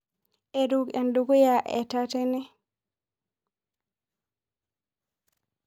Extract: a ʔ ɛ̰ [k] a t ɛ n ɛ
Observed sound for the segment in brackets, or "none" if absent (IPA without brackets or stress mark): t